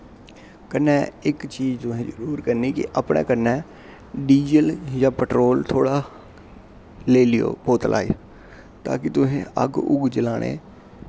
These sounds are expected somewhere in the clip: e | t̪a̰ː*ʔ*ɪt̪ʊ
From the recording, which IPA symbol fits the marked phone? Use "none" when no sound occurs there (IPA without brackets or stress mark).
k